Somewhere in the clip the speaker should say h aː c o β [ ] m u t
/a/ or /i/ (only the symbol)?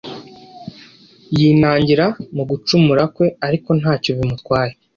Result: i